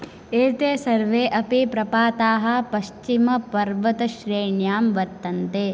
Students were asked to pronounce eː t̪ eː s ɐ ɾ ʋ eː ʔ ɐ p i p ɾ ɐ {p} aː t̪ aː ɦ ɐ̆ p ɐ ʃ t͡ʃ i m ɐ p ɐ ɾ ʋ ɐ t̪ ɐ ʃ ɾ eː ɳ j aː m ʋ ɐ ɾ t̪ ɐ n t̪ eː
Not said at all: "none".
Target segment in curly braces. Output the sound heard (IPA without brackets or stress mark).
p